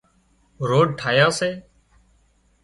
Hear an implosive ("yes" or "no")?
no